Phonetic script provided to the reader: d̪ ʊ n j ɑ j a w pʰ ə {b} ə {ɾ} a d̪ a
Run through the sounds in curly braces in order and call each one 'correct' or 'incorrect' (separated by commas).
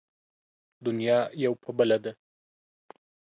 correct, incorrect